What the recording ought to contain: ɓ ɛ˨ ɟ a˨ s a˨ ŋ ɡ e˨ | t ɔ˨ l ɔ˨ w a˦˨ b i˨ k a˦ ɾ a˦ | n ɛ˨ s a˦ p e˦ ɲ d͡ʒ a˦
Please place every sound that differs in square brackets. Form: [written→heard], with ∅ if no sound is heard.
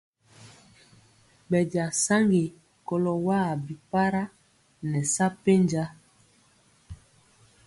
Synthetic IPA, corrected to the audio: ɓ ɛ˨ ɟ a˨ s [a˨→a˦] ŋ ɡ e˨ | [t→k] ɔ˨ l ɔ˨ w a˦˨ b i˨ [k→p] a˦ ɾ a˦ | n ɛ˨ s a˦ p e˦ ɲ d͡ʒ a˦